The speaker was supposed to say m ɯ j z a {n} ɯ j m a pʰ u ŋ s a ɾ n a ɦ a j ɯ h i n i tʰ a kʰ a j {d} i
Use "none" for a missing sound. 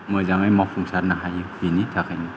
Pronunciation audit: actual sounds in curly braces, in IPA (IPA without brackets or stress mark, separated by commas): ŋ, n